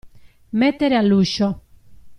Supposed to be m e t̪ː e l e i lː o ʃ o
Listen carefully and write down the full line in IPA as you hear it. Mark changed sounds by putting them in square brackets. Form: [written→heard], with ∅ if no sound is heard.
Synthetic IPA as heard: m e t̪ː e [l→ɾ] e [i→a] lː [o→u] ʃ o